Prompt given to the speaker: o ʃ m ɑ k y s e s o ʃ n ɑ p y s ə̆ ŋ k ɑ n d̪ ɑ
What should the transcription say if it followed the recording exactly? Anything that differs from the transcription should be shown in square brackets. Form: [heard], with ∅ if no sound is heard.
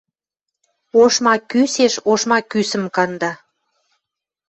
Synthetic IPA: o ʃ m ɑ k y s e [ʃ] o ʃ [m] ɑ [k] y s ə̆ [m] k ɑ n d̪ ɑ